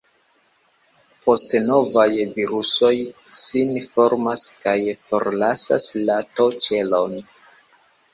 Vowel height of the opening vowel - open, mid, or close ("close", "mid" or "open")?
mid